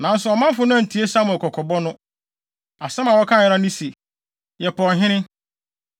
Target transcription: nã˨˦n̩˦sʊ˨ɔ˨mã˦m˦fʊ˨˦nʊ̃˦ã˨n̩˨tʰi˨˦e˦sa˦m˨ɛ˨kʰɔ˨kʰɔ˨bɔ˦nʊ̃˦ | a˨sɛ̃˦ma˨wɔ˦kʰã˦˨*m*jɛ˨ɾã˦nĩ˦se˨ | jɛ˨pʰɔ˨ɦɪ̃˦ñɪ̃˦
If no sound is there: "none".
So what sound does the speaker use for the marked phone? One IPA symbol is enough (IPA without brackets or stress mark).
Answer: none